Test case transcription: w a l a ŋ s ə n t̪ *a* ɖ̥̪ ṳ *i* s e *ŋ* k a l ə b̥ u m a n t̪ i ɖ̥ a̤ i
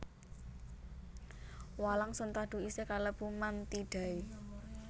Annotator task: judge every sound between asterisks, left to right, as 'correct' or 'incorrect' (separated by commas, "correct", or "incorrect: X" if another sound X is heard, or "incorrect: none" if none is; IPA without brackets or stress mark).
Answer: correct, correct, incorrect: none